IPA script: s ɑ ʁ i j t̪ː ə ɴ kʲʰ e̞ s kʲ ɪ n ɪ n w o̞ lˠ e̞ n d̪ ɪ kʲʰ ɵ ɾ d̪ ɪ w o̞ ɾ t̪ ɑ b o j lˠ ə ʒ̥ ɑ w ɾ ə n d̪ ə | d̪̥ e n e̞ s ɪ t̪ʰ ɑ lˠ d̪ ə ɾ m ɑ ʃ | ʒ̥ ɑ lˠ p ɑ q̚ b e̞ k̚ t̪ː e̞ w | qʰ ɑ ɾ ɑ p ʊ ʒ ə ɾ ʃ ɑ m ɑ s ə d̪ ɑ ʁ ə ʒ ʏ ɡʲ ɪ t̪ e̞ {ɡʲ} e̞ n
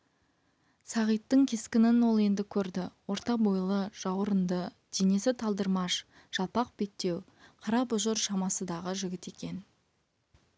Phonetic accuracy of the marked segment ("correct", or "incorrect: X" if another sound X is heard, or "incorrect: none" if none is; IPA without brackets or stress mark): incorrect: kʲ